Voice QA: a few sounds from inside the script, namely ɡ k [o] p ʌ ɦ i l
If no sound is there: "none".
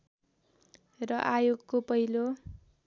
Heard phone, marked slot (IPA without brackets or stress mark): o